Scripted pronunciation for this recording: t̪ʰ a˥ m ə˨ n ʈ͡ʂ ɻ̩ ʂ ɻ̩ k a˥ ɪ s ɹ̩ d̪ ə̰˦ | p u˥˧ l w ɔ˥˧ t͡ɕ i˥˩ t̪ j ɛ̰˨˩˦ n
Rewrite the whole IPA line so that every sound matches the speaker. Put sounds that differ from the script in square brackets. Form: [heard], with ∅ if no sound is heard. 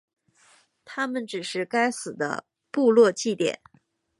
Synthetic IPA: t̪ʰ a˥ m ə˨ n ʈ͡ʂ ɻ̩ ʂ ɻ̩ k a˥ ɪ s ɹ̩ d̪ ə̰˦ | p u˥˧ l w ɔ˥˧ t͡ɕ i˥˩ t̪ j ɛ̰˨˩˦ n